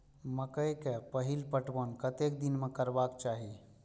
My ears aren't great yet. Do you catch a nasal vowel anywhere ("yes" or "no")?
no